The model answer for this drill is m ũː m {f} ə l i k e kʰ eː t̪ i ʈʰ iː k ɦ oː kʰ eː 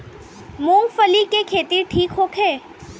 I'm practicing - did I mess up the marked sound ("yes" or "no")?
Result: no